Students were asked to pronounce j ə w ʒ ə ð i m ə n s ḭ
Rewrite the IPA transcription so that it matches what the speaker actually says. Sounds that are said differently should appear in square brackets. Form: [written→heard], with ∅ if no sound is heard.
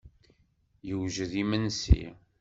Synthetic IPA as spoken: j ə w ʒ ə ð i m ə n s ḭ